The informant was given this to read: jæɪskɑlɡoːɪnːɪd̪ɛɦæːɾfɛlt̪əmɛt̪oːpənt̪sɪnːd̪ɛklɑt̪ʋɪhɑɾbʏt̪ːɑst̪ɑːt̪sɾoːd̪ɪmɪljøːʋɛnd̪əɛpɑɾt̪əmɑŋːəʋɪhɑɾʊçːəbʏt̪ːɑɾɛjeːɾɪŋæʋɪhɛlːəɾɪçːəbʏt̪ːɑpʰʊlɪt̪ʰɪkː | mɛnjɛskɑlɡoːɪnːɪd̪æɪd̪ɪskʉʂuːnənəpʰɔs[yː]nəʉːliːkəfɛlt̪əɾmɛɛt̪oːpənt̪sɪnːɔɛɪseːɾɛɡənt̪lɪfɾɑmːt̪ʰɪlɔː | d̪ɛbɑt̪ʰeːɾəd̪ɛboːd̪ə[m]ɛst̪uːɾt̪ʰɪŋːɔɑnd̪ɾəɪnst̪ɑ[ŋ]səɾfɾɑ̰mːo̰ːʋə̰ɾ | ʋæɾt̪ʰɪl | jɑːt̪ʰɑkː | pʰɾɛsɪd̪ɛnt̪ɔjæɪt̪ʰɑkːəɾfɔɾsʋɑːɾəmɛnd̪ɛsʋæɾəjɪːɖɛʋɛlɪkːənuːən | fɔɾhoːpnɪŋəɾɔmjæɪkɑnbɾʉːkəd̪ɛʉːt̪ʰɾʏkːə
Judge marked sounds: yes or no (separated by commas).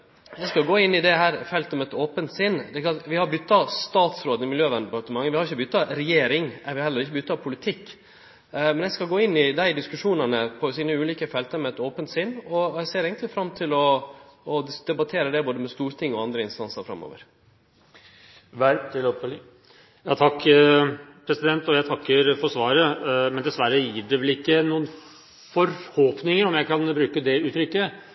no, yes, no